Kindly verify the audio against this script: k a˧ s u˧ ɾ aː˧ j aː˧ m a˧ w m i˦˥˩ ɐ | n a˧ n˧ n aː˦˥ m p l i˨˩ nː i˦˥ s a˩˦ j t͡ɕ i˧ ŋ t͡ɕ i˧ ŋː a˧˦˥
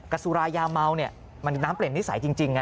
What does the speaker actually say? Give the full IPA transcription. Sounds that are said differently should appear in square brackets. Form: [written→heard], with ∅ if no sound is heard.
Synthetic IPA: k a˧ s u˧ ɾ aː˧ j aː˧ m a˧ w [m→n] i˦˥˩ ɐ | [n→m] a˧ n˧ n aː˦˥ m p l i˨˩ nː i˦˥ s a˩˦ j t͡ɕ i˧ ŋ t͡ɕ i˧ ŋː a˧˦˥